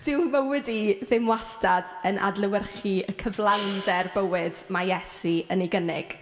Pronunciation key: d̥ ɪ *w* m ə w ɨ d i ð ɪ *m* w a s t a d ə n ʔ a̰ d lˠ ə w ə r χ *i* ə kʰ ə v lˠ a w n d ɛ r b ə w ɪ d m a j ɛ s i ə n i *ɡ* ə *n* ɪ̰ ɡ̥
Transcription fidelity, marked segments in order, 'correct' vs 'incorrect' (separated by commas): correct, correct, correct, correct, correct